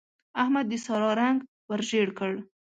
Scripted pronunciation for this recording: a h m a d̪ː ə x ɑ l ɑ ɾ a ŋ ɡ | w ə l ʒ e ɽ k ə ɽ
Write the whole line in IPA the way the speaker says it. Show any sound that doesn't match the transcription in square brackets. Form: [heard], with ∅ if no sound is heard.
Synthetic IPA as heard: a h m a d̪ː ə [s] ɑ [ɾ] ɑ ɾ a ŋ ɡ | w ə [ɾ] ʒ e ɽ k ə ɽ